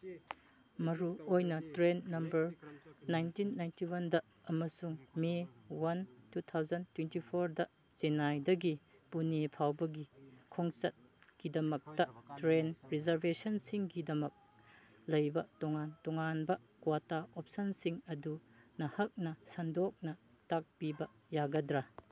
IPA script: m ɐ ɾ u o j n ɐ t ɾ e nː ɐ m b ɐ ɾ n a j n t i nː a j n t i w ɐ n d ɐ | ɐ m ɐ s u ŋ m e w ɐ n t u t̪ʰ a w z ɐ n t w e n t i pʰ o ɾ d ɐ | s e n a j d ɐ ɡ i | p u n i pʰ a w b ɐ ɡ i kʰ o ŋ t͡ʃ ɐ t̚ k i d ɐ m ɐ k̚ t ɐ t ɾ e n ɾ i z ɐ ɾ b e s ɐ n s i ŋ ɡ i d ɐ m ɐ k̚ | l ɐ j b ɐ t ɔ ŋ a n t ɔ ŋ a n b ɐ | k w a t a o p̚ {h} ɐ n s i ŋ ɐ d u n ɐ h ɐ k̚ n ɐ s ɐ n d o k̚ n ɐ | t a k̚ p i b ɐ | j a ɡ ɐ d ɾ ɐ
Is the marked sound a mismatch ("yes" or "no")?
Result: yes